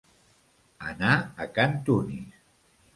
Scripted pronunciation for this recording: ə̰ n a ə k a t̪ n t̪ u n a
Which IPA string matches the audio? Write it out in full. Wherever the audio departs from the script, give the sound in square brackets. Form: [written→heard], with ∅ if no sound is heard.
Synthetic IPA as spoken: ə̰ n a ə k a [t̪→∅] n t̪ u n [a→i]